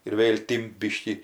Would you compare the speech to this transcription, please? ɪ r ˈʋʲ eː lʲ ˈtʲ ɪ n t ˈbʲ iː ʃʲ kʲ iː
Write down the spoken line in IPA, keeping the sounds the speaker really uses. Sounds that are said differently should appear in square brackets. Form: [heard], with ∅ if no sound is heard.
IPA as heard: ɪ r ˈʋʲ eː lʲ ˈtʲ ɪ [m] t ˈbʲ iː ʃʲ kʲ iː